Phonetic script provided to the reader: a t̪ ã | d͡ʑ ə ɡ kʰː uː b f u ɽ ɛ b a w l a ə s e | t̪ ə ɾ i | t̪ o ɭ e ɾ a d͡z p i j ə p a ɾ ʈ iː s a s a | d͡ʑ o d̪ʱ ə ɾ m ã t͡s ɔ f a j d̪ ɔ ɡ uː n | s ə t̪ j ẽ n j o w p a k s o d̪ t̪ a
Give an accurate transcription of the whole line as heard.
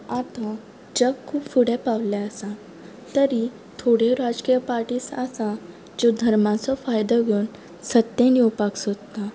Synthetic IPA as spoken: a t̪ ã | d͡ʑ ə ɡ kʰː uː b f u ɽ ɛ p a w l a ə s a | t̪ ə ɾ i | t̪ʰ o ɽ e ɾ a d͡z k i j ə p a ɾ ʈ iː s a s a | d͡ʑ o d̪ʱ ə ɾ m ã t͡s ɔ f a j d̪ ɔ ɡ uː n | s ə t̪ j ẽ n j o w p a k s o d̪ t̪ a

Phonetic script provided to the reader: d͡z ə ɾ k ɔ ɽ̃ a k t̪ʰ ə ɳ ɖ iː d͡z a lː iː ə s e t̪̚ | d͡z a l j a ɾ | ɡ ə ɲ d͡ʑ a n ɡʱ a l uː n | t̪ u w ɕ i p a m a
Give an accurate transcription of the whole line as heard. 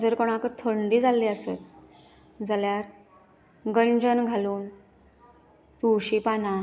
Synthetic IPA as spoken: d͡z ə ɾ k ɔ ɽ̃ a k t̪ʰ ə ɳ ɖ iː d͡z a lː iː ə s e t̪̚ | d͡z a l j a ɾ | ɡ ə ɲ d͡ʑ ə n ɡʱ a l uː n | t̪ u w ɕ i p a n a

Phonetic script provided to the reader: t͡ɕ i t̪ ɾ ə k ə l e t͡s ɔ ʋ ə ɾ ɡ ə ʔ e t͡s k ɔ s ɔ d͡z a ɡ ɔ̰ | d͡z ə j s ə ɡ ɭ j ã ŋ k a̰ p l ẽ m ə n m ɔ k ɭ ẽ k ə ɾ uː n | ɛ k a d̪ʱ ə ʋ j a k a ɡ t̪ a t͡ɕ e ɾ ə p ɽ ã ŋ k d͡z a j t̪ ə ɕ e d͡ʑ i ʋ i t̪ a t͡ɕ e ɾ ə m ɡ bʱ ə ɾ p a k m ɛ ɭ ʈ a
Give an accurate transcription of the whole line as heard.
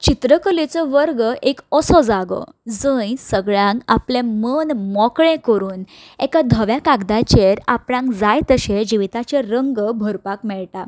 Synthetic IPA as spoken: t͡ɕ i t̪ ɾ ə k ə l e t͡s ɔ ʋ ə ɾ ɡ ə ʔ e k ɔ s ɔ d͡z a ɡ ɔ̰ | d͡z ə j s ə ɡ ɭ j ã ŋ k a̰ p l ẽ m ə n m ɔ k ɭ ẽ k ə ɾ uː n | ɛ k a d̪ʱ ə ʋ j a k a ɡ d̪ a t͡ɕ e ɾ a p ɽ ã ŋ k d͡z a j t̪ ə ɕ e d͡ʑ i ʋ i t̪ a t͡ɕ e ɾ ə ŋ ɡ bʱ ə ɾ p a k m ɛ ɭ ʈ a

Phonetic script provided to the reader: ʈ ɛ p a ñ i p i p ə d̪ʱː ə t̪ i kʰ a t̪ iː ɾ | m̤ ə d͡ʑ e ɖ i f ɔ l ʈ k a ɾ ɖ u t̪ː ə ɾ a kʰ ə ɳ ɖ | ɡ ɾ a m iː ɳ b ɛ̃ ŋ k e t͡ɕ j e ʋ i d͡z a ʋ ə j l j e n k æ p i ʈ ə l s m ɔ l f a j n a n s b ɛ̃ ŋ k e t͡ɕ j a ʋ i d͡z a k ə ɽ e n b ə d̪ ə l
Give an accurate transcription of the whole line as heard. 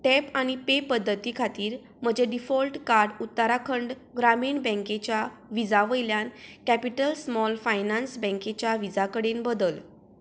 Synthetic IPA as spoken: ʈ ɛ p a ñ i p e p ə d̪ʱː ə t̪ i kʰ a t̪ iː ɾ | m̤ ə d͡ʑ e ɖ i f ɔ l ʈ k a ɾ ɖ u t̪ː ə ɾ a kʰ ə ɳ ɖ | ɡ ɾ a m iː ɳ b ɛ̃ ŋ k e t͡ɕ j a ʋ i d͡z a ʋ ə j l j a n k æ p i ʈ ə l s m ɔ l f a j n a n s b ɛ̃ ŋ k e t͡ɕ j a ʋ i d͡z a k ə ɽ e n b ə d̪ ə l

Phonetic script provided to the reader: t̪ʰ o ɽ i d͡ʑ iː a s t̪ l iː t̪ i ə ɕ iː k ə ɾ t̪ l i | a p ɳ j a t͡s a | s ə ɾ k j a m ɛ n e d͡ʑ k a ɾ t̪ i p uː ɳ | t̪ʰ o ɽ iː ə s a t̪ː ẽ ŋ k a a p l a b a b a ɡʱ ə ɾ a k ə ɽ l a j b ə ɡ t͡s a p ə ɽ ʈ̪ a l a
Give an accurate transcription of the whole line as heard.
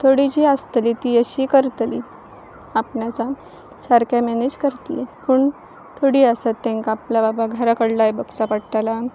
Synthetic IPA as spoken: t̪ʰ o ɽ i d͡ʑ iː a s t̪ l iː t̪ i ə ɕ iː k ə ɾ t̪ l i | a p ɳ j a t͡s a | s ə ɾ k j a m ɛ n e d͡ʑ k ə ɾ t̪ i p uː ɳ | t̪ʰ o ɽ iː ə s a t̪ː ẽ ŋ k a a p l a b a b a ɡʱ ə ɾ a k ə ɽ l a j b ə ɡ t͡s a p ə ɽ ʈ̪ a l a

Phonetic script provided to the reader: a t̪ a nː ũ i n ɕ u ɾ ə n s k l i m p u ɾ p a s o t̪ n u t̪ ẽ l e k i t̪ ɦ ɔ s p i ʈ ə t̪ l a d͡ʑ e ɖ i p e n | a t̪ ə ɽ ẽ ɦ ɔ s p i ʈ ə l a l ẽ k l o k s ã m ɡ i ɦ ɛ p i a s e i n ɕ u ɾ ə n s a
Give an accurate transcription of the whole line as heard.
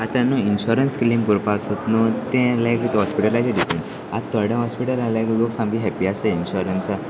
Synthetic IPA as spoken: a t̪ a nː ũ i n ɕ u ɾ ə n s k l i m p u ɾ p a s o t̪ n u t̪ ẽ l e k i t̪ ɦ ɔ s p i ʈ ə l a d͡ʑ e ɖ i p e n | a t̪ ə ɽ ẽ ɦ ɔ s p i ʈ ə l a l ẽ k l o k s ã m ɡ i ɦ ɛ p i a s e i n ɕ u ɾ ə n s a

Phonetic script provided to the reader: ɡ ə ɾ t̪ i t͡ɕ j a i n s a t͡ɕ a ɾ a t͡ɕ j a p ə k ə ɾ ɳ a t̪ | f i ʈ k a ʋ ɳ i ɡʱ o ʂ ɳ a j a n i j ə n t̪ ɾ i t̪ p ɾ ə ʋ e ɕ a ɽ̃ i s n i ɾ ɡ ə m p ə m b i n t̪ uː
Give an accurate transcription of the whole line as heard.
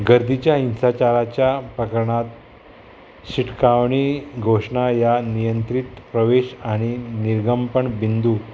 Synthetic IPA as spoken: ɡ ə ɾ d̪ i t͡ɕ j a i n s a t͡ɕ a ɾ a t͡ɕ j a p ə k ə ɾ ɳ a t̪ | ɕ i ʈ k a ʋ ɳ i ɡʱ o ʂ ɳ a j a n i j ə n t̪ ɾ i t̪ p ɾ ə ʋ e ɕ a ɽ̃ i n i ɾ ɡ ə m p ə ɳ b i n d̪ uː

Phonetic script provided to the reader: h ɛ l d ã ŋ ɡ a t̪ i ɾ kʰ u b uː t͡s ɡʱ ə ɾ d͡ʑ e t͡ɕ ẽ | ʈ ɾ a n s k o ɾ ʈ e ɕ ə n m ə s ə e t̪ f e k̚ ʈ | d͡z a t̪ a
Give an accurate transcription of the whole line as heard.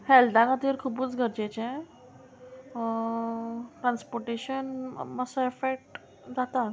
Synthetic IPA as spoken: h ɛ l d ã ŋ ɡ a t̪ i ɾ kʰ u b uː t͡s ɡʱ ə ɾ d͡ʑ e t͡ɕ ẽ | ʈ ɾ a n s p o ɾ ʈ e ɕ ə n m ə s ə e f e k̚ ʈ | d͡z a t̪ a

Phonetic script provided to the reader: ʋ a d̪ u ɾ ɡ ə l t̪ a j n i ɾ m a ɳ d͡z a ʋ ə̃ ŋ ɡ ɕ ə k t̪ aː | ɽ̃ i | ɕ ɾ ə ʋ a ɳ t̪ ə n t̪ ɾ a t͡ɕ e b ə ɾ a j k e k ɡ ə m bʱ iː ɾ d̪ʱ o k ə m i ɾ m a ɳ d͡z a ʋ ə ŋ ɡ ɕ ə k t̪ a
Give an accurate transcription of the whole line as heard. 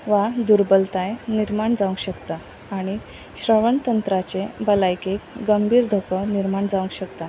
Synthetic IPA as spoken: ʋ a d̪ u ɾ b ə l t̪ a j n i ɾ m a ɳ d͡z a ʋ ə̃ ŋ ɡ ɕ ə k t̪ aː | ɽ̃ i | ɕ ɾ ə ʋ ə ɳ t̪ ə n t̪ ɾ a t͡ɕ e b ə l a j k e k ɡ ə m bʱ iː ɾ d̪ʱ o k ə n i ɾ m a ɳ d͡z a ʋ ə ŋ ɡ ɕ ə k t̪ a

